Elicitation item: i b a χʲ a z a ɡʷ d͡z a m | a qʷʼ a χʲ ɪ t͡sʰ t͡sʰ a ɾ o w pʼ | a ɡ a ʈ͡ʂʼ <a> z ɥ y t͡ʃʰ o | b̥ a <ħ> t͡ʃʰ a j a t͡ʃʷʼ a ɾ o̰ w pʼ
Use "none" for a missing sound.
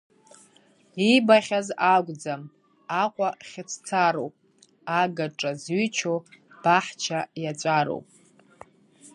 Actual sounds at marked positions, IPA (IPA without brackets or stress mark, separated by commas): a, ħ